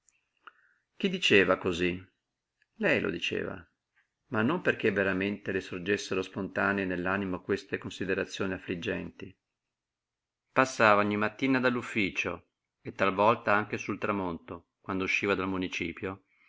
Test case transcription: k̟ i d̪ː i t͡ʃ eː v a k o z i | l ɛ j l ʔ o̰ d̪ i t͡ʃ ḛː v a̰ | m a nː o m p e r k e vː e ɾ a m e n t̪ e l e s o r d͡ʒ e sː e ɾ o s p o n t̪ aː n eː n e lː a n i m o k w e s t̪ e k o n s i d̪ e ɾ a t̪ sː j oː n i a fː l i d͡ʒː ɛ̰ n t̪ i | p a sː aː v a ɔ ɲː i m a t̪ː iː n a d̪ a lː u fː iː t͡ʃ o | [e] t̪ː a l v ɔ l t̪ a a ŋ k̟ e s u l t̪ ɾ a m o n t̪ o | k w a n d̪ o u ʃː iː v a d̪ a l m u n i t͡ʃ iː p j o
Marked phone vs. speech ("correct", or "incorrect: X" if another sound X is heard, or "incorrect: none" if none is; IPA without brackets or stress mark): correct